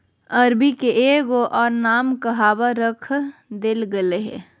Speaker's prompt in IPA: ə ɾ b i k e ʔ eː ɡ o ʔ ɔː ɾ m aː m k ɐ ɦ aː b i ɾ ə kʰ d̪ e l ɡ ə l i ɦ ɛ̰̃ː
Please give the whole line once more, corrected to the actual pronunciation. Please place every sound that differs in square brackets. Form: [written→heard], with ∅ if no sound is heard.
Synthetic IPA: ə ɾ b i k e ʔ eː ɡ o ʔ ɔː ɾ [m→n] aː m k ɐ ɦ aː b [i→a] ɾ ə kʰ d̪ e l ɡ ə l [i→e] ɦ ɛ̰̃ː